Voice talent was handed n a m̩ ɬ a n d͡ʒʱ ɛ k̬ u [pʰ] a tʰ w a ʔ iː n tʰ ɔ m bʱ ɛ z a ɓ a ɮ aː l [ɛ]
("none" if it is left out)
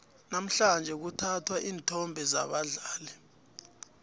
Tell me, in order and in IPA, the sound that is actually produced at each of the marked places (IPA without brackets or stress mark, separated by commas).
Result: tʰ, ɛ